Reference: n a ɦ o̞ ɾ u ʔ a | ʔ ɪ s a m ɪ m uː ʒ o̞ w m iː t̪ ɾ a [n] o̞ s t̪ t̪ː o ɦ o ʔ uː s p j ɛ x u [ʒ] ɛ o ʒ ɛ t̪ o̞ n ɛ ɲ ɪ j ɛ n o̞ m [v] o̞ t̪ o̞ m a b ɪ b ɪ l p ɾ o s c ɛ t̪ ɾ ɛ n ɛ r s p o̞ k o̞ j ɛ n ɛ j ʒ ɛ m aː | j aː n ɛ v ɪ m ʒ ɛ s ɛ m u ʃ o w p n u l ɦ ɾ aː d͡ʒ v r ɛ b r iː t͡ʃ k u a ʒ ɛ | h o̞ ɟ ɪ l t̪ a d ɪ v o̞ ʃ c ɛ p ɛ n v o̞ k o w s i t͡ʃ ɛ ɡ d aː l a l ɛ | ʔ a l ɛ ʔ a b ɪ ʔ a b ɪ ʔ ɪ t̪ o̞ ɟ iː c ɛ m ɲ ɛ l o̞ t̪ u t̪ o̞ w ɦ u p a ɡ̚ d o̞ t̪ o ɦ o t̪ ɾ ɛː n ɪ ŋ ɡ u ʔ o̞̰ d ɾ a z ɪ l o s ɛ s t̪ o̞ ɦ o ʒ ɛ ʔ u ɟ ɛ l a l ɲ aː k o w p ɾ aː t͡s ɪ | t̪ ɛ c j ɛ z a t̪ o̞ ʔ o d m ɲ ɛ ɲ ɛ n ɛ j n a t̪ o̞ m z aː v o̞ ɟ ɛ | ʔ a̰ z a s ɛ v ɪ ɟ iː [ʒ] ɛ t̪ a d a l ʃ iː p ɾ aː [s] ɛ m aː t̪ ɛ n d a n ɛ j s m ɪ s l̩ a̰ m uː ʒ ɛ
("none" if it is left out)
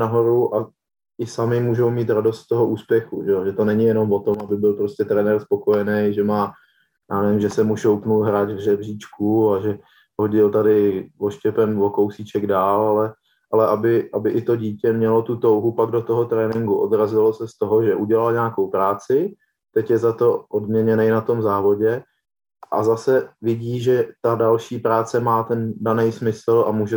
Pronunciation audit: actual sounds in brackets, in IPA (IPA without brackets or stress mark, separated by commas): d, ʒ, v, ʒ, t͡s